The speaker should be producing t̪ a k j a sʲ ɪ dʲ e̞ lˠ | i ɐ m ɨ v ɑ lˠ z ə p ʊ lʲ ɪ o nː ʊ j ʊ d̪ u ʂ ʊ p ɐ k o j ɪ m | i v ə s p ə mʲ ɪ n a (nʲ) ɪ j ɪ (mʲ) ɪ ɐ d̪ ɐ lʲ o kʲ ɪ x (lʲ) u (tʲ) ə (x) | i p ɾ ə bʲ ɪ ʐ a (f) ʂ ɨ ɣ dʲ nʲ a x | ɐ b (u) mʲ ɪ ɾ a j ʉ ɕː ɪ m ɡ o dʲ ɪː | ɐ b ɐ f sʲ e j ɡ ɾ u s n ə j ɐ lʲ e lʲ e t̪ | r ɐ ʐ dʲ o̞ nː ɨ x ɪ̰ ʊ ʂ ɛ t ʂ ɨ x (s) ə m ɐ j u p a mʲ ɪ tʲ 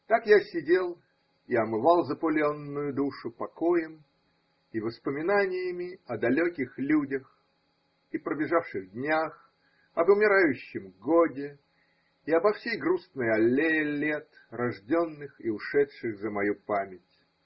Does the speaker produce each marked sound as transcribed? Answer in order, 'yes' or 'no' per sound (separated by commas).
yes, yes, yes, no, yes, yes, no, no